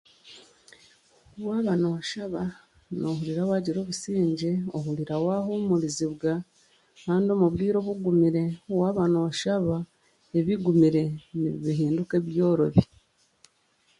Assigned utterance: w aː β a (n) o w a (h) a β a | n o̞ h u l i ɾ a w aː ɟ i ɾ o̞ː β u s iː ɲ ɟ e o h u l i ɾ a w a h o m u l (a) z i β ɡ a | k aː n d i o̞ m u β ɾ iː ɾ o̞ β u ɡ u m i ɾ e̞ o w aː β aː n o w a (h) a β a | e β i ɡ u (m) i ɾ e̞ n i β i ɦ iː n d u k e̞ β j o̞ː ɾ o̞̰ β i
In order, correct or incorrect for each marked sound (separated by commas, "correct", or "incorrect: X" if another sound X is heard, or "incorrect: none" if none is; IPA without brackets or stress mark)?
correct, incorrect: ʃ, incorrect: i, incorrect: ʃ, correct